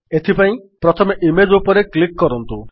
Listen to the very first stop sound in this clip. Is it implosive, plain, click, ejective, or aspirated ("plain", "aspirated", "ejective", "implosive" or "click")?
aspirated